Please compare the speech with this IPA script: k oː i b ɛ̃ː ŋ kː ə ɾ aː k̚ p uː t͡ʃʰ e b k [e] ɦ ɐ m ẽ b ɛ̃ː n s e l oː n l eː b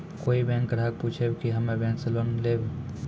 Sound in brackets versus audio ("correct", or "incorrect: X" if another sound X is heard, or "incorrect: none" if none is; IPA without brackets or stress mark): incorrect: i